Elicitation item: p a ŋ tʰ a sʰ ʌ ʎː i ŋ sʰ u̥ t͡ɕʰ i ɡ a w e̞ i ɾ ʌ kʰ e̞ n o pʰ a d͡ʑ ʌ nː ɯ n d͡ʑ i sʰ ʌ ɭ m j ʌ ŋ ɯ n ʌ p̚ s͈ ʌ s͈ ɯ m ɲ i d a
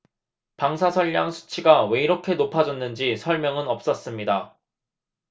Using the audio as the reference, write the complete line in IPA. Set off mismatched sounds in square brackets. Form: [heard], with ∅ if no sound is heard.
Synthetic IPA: p a ŋ [sʰ] a sʰ ʌ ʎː [a] ŋ sʰ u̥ t͡ɕʰ i ɡ a w e̞ i ɾ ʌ kʰ e̞ n o pʰ a d͡ʑ ʌ nː ɯ n d͡ʑ i sʰ ʌ ɭ m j ʌ ŋ ɯ n ʌ p̚ s͈ ʌ s͈ ɯ m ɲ i d a